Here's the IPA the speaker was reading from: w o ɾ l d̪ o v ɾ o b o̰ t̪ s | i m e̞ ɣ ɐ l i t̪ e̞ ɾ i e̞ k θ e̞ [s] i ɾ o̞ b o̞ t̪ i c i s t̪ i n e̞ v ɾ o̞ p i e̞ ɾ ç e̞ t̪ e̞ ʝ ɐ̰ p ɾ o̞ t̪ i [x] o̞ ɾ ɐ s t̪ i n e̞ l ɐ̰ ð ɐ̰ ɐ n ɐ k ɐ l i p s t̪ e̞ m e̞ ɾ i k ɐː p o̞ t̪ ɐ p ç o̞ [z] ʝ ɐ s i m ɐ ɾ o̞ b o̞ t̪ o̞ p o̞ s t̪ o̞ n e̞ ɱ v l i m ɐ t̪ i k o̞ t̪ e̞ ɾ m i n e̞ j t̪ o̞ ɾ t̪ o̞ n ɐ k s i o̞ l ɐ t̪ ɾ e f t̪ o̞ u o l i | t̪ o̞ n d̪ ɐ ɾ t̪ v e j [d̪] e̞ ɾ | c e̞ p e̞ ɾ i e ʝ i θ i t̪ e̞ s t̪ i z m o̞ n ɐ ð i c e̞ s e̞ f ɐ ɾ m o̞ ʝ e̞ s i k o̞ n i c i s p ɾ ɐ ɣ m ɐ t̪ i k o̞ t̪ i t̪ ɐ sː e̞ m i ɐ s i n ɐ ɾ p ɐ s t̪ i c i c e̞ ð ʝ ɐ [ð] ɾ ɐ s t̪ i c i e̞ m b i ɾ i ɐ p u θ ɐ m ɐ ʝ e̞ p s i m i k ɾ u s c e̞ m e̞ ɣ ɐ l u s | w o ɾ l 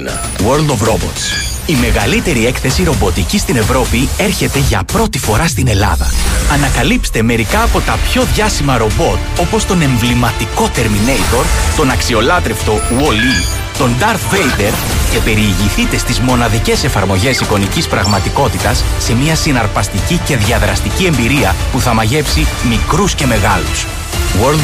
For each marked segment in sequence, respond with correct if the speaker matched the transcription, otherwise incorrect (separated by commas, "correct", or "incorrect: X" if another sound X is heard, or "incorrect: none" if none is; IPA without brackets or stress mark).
correct, incorrect: f, incorrect: ð, correct, correct